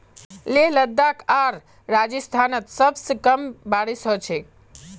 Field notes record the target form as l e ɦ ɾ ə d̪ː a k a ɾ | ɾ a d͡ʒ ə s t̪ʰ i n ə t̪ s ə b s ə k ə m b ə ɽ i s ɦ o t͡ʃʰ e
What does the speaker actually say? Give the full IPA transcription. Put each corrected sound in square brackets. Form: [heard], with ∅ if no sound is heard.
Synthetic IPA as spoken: l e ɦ [l] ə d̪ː a k a ɾ | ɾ a d͡ʒ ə s t̪ʰ [a] n ə t̪ s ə b s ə k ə m b [a] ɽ i s ɦ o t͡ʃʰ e

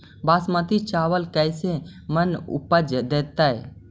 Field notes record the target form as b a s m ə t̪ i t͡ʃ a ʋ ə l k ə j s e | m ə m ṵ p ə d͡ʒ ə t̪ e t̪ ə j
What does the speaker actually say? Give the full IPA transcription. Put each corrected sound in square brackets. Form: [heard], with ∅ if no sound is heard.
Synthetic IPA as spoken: b a s m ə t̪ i t͡ʃ a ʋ ə l k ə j s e | m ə [n] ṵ p ə d͡ʒ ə [d̪] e t̪ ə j

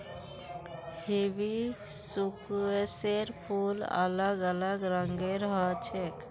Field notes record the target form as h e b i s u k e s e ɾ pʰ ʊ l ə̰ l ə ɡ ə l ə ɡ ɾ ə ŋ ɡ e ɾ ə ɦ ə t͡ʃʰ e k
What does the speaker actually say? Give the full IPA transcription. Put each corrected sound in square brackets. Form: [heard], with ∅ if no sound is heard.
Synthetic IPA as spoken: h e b i s u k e s e ɾ pʰ [u] l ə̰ l ə ɡ ə l ə ɡ ɾ ə ŋ ɡ e ɾ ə ɦ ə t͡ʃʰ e k

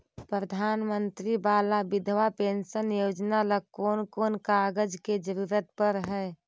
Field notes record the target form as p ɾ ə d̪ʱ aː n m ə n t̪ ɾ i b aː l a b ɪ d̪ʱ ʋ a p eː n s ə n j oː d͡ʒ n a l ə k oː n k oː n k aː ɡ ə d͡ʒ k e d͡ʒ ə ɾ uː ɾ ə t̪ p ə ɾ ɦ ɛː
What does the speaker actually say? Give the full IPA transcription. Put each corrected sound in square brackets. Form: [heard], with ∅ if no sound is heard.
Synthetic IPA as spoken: p ɾ ə d̪ʱ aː n m ə n t̪ ɾ i b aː l a b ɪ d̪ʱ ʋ a p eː n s ə n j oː d͡ʒ n a l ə k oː n k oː n k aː ɡ ə d͡ʒ k e d͡ʒ ə ɾ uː ɾ ə t̪ p ə ɾ ɦ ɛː

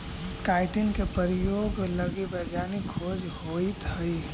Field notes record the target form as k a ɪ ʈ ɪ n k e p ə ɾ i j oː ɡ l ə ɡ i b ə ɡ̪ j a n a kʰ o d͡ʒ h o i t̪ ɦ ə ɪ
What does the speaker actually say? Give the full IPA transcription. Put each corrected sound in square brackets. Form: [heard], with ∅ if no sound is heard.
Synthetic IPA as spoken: k a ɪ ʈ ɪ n k e p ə ɾ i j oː ɡ l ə ɡ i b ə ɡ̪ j a n [i] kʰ o d͡ʒ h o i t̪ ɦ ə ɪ

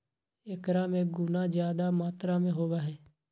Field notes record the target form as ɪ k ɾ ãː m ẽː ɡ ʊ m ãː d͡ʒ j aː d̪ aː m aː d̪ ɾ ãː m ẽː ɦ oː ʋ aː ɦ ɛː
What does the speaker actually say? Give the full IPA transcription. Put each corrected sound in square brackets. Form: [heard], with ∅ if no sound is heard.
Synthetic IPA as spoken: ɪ k ɾ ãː m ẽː ɡ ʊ [n] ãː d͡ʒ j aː d̪ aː m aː [t̪] ɾ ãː m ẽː ɦ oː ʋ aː ɦ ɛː

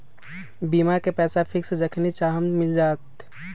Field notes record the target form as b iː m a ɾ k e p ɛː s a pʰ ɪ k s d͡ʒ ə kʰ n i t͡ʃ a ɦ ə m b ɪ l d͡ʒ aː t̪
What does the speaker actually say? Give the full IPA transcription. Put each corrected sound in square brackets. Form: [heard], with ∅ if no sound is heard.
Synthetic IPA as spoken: b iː m a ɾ k e p ɛː s a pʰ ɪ k s d͡ʒ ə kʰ n i t͡ʃ a ɦ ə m [m] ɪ l d͡ʒ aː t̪

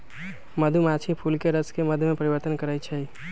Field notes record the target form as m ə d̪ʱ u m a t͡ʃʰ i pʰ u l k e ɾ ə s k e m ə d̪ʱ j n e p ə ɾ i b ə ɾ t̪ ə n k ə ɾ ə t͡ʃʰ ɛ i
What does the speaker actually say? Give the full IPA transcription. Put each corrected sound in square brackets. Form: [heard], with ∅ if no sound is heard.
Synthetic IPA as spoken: m ə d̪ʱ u m a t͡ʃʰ i pʰ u l k e ɾ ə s k e m ə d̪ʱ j [m] e p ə ɾ i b ə ɾ t̪ ə n k ə ɾ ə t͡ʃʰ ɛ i

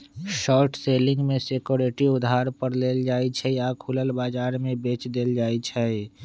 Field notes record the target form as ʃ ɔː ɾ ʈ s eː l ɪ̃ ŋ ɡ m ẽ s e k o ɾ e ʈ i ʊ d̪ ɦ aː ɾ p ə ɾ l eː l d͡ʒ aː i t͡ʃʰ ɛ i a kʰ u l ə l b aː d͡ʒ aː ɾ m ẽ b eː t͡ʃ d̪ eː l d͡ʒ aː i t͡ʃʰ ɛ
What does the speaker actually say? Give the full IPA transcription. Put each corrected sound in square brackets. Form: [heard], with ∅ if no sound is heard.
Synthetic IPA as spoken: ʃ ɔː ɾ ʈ s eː l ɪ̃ ŋ ɡ m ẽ s e k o ɾ e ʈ i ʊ d̪ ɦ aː ɾ p ə ɾ l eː l d͡ʒ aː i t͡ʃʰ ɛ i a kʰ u l ə l b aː d͡ʒ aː ɾ m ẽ b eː t͡ʃ d̪ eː l d͡ʒ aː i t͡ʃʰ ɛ

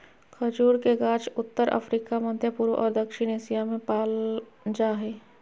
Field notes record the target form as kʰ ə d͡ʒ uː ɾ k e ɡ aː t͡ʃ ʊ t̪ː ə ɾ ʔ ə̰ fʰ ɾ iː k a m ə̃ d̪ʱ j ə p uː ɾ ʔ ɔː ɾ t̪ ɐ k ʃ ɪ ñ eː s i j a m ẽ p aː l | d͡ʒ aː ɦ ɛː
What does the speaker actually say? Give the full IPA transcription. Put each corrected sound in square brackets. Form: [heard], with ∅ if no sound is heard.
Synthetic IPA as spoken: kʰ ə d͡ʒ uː ɾ k e ɡ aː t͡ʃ ʊ t̪ː ə ɾ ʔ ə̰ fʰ ɾ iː k a m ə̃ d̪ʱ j ə p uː ɾ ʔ ɔː ɾ [d̪] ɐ k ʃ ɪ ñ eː s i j a m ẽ p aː l | d͡ʒ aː ɦ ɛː

